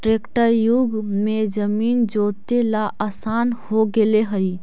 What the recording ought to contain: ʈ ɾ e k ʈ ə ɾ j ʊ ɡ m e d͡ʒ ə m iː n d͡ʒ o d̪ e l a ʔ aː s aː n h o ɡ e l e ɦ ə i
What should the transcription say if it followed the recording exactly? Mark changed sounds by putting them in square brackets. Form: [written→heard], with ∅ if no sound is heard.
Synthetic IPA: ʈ ɾ e k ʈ ə ɾ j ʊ ɡ m e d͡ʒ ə m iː n d͡ʒ o [d̪→t̪] e l a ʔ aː s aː n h o ɡ e l e ɦ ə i